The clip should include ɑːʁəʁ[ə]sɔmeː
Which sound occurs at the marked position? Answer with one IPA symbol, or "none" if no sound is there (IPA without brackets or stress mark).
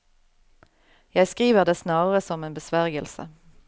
ə